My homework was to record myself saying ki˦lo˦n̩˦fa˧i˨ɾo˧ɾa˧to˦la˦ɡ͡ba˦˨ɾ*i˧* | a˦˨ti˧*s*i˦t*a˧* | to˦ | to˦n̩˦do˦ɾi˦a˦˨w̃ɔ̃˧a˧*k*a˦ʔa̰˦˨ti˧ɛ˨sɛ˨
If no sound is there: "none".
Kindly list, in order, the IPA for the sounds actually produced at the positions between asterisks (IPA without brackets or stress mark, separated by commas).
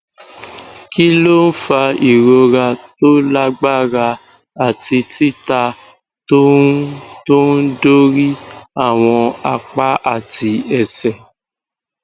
a˧, t, a˧, k͡p